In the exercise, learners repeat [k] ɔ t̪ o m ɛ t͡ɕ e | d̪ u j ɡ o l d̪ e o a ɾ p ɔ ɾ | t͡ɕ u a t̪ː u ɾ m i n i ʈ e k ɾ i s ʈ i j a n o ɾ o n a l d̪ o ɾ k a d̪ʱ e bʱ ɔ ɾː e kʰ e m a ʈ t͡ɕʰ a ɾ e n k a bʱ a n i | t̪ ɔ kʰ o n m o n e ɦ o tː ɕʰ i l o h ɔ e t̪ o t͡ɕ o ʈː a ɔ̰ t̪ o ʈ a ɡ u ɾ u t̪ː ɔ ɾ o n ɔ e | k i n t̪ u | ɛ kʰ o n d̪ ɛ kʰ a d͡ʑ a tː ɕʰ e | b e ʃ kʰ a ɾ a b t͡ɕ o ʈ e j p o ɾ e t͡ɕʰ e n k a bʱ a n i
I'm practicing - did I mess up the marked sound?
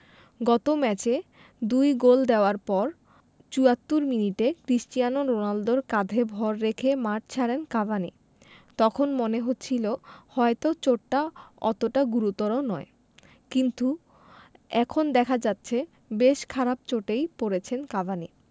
yes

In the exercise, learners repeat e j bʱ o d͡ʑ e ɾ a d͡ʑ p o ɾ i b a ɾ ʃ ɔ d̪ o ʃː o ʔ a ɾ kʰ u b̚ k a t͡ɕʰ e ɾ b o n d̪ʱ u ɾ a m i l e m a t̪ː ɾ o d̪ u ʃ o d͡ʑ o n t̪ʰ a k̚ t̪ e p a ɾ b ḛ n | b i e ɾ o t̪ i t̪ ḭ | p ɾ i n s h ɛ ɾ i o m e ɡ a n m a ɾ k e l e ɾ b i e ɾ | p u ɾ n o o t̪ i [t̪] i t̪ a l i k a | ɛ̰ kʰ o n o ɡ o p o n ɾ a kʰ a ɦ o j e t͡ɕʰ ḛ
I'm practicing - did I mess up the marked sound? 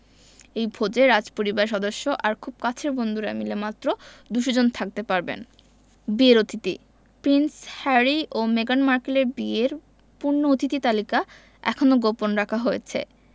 no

